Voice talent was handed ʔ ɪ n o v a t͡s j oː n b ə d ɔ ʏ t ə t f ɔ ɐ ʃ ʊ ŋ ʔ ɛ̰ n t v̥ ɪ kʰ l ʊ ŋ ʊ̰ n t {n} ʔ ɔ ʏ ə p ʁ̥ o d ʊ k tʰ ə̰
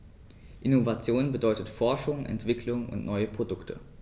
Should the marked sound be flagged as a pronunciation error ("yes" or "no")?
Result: no